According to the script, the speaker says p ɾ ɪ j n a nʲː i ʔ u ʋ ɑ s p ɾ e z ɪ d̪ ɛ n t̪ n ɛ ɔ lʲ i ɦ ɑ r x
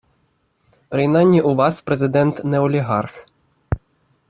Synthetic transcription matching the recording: p ɾ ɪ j n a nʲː i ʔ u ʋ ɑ s p ɾ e z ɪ d̪ ɛ n t̪ n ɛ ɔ lʲ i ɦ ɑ r x